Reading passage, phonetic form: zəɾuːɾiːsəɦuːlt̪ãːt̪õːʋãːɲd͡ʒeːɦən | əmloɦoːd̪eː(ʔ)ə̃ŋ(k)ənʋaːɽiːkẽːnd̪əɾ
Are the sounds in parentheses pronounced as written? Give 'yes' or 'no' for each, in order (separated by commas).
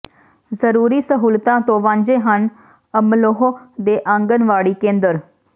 yes, no